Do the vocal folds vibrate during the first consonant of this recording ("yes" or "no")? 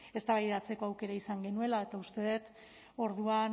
no